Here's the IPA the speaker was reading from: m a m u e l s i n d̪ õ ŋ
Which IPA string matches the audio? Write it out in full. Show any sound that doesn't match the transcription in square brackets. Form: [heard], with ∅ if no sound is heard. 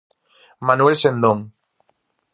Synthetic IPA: m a [n] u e l s [e] n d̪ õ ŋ